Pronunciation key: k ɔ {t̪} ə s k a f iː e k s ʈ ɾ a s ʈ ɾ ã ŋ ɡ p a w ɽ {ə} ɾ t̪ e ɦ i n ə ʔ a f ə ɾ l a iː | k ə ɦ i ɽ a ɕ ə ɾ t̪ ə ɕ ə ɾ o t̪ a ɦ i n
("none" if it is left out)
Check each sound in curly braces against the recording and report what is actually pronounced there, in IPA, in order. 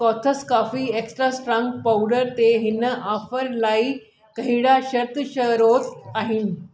t̪ʰ, ə

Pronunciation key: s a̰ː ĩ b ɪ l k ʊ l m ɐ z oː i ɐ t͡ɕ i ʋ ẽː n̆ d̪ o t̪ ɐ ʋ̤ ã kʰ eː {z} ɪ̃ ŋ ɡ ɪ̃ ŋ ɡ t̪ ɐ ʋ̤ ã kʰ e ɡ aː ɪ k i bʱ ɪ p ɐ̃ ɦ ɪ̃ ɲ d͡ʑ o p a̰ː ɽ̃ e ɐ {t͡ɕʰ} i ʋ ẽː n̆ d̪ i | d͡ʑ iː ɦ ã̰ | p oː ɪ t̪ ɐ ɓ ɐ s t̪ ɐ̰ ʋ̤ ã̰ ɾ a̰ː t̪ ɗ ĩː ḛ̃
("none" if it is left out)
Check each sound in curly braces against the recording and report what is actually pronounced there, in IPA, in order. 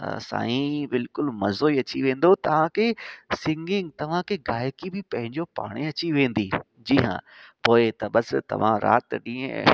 s, t͡ɕ

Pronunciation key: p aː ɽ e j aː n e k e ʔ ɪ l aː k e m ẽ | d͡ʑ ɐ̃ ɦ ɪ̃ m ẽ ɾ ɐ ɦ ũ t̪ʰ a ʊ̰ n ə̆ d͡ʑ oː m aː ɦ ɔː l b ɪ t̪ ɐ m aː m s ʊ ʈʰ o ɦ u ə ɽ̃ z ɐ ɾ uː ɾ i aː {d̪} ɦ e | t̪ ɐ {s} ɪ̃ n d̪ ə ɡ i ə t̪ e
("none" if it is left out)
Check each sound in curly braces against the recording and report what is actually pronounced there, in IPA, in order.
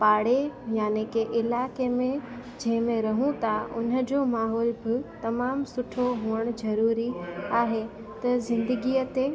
none, z

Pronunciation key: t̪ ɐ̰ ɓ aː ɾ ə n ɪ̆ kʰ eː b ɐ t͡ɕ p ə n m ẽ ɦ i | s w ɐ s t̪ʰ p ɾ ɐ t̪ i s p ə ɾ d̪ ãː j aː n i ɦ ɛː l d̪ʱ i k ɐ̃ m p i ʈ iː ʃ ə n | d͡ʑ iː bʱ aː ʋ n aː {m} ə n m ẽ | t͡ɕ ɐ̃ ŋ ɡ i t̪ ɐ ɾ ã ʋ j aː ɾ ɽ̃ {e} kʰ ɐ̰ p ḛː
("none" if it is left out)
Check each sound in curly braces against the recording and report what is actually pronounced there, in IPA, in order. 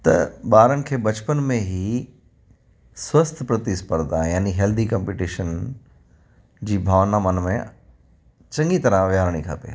m, i

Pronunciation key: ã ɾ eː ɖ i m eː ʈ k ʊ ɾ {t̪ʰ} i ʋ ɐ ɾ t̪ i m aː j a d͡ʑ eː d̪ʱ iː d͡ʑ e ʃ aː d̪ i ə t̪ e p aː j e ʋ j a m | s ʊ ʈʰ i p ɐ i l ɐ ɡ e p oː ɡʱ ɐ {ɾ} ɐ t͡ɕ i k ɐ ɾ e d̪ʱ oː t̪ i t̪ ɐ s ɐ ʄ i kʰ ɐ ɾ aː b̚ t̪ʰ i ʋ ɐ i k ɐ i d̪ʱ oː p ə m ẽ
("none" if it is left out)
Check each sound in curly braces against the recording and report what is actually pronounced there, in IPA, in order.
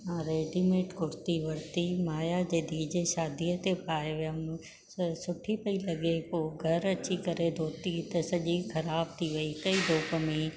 t̪, ɾ

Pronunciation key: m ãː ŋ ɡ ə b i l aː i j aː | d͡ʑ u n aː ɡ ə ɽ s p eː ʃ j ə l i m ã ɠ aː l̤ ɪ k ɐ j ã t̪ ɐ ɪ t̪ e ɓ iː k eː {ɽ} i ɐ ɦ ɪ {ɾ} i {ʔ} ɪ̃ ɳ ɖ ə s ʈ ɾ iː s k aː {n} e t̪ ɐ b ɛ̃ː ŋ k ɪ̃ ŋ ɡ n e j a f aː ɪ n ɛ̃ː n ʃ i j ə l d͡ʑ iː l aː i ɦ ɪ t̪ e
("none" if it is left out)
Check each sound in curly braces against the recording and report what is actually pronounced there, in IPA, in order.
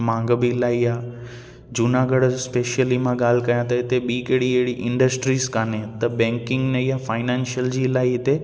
ɽ, ɽ, ʔ, n

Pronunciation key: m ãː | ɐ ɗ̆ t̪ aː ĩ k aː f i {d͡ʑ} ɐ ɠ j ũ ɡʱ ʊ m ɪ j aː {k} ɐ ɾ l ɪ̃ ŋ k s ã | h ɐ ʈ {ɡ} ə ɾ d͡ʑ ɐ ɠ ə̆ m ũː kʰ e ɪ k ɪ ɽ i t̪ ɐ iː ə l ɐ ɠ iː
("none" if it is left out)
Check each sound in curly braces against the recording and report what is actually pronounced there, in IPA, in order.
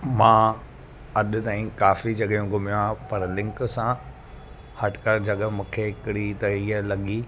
d͡ʑ, p, k

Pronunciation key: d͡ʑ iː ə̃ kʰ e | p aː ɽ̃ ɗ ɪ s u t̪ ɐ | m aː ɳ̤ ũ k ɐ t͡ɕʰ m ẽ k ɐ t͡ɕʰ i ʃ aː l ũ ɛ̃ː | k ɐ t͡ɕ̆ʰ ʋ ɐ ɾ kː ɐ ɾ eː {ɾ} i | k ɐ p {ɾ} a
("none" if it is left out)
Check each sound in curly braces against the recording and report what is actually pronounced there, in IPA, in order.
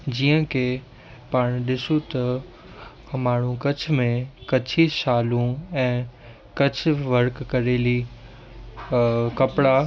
l, ɽ

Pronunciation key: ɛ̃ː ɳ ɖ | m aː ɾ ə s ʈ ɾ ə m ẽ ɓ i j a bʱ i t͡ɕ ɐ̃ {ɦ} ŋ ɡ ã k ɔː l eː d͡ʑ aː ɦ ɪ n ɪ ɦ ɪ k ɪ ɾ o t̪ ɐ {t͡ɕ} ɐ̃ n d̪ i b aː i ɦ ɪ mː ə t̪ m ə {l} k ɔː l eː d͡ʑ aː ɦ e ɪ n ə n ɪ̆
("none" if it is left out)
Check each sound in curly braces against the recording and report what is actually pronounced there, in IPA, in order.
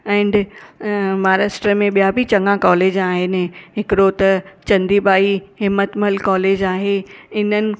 none, t͡ɕ, l

